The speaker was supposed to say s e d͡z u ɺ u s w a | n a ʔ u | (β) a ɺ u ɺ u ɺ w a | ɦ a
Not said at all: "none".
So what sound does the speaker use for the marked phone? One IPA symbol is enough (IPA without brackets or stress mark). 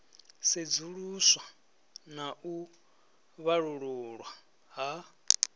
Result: β